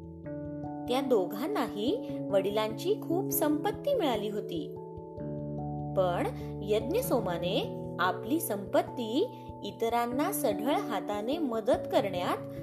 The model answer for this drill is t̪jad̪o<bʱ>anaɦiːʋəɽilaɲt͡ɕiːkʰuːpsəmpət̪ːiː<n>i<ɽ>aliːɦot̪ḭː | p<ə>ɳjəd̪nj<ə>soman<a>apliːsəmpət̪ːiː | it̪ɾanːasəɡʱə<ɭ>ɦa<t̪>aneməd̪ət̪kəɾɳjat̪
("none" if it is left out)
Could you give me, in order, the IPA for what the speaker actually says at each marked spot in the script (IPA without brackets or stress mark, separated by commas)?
ɡʱ, m, ɭ, ə, ə, e, ɭ, t̪